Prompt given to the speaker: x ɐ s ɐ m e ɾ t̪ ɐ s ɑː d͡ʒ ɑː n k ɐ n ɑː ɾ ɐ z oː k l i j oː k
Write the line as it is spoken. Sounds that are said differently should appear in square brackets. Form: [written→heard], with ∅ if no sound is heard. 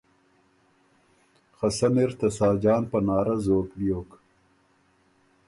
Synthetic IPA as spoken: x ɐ s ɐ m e ɾ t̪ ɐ s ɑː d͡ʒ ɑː n [k→p] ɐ n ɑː ɾ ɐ z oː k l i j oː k